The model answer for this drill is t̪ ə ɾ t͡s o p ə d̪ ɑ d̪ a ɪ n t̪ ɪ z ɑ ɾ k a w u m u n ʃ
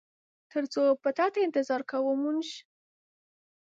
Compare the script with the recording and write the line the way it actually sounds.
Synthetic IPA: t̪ ə ɾ t͡s o p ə t̪ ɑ t̪ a ɪ n t̪ ɪ z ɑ ɾ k a w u m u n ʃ